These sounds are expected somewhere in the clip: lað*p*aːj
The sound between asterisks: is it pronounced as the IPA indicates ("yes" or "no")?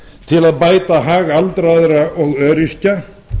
yes